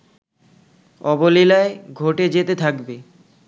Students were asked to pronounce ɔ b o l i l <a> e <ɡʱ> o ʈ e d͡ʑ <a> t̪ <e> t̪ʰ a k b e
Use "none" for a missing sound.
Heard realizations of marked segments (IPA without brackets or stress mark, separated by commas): a, ɡʱ, e, e